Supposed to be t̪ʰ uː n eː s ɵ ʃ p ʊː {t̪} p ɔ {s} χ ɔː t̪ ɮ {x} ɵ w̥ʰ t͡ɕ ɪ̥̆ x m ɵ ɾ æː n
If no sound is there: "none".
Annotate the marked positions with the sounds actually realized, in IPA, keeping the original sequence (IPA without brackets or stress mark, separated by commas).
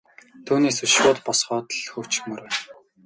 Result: t̪, s, x